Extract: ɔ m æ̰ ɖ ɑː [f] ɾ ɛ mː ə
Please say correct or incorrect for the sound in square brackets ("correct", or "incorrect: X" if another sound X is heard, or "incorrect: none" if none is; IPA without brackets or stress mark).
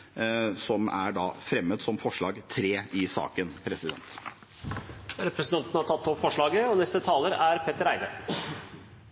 correct